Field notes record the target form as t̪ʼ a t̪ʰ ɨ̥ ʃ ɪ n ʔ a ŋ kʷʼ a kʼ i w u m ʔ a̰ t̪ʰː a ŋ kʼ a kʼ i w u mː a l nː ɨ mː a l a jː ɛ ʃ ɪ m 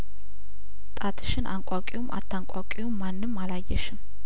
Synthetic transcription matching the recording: t̪ʼ a t̪ʰ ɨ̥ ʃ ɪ n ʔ a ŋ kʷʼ a kʼ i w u m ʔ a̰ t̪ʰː a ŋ kʼ a kʼ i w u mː a nː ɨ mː a l a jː ɛ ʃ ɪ m